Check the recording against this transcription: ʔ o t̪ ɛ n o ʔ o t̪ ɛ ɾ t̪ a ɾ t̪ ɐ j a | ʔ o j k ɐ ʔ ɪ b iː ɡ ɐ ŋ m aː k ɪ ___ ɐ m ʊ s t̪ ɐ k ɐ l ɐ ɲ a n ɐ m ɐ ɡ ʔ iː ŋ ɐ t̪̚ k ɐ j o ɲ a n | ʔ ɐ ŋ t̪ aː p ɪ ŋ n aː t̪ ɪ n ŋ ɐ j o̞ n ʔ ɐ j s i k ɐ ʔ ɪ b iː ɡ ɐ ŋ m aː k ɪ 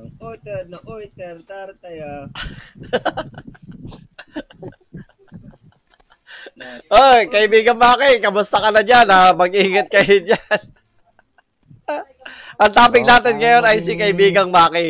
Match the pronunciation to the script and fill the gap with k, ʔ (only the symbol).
k